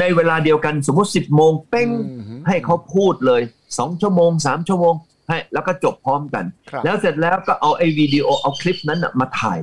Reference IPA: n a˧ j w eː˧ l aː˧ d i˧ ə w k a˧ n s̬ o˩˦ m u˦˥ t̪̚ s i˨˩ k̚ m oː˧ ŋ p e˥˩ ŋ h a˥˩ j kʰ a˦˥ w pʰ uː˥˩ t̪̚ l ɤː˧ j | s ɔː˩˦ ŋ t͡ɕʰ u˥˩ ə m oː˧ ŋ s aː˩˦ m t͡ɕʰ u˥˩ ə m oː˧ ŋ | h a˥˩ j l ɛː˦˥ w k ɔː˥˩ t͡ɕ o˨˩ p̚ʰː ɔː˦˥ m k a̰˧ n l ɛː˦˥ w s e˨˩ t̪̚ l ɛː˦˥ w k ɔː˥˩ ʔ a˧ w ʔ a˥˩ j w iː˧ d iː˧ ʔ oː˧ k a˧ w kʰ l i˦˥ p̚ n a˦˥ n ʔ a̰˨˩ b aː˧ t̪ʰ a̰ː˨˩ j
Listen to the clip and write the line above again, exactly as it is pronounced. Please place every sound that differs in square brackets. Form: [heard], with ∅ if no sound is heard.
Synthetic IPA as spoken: n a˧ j w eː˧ l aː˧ d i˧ ə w k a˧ n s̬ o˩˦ m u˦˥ t̪̚ s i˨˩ [p̚] m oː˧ ŋ p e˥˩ ŋ h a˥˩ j kʰ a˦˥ w pʰ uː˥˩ t̪̚ l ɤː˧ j | s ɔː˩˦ ŋ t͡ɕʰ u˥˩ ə m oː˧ ŋ s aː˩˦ m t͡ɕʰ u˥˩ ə m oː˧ ŋ | h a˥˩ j l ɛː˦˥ w k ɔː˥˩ t͡ɕ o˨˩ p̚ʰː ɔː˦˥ m k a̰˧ n l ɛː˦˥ w s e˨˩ t̪̚ l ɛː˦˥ w k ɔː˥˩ ʔ a˧ w ʔ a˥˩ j w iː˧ d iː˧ ʔ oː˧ [ʔ] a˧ w kʰ l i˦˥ p̚ n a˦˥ n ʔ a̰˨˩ [m] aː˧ t̪ʰ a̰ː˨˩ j